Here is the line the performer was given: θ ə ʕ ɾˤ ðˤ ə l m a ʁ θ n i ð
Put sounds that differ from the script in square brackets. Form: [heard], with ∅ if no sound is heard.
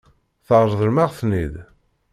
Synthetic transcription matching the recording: θ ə [ʁ] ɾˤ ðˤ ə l m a ʁ θ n i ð

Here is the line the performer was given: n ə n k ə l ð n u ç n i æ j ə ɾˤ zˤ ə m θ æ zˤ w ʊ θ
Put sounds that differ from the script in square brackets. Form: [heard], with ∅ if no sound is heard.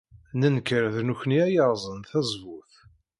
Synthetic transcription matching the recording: n ə n k ə [ɾ] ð n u ç n i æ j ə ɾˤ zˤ ə [n] θ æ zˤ [v] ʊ θ

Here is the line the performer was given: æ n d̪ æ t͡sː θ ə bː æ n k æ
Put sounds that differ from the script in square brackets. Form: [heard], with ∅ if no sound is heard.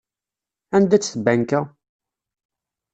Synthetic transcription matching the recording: æ n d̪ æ t͡sː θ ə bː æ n k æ

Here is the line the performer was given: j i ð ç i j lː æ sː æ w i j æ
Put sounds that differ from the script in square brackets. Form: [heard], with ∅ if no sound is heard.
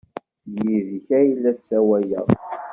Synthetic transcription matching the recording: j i ð ç [æ] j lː æ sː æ w [æ] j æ

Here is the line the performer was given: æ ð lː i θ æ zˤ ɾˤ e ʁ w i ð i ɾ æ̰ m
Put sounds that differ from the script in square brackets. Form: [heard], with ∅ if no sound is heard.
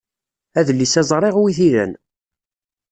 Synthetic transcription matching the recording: æ ð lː i [s] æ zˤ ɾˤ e ʁ w i [θ] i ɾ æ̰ [n]

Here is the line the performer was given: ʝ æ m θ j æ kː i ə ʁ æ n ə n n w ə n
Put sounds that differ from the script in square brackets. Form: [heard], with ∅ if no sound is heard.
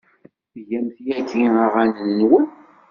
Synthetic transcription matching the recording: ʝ æ m θ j æ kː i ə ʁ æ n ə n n w ə n

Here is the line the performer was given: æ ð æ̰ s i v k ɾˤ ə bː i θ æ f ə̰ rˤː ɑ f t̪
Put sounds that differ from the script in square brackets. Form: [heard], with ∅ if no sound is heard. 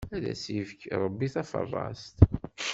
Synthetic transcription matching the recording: æ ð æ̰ s i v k ɾˤ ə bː i θ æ f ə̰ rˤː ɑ [s] t̪

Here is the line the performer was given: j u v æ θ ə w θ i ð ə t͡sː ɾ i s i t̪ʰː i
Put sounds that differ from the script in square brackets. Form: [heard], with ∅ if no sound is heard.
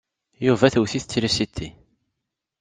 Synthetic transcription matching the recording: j u v æ θ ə w θ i [θ] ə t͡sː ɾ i s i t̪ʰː i

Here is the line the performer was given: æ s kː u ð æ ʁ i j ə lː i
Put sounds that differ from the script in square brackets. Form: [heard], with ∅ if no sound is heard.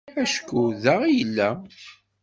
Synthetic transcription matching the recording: æ [ʃ] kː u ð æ ʁ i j ə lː [æ]

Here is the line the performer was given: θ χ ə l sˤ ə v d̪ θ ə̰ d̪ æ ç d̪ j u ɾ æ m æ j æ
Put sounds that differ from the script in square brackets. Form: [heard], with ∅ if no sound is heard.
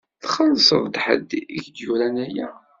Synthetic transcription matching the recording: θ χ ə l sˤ ə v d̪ [ħ] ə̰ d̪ [i] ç d̪ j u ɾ æ [n] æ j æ

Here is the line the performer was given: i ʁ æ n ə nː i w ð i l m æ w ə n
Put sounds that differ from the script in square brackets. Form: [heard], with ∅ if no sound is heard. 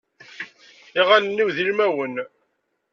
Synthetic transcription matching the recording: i ʁ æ n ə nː i w ð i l m æ w ə n

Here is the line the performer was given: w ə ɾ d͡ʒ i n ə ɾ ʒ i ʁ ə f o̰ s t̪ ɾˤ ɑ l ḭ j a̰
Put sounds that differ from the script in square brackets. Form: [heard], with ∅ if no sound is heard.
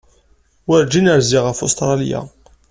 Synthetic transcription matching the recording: w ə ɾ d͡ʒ i n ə ɾ [z] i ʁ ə f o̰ s t̪ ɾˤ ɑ l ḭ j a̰

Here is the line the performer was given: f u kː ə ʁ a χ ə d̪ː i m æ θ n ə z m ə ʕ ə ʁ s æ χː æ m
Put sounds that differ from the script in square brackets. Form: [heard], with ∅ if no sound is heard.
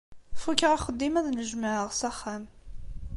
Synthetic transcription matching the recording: f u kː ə ʁ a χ ə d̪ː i m æ [ð] n ə [ʒ] m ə ʕ ə ʁ s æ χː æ m

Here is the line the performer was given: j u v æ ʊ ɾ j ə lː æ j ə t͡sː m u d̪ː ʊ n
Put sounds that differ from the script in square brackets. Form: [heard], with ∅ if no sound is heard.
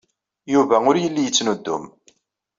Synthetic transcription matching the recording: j u v æ ʊ ɾ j ə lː [i] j ə t͡sː [n] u d̪ː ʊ [m]

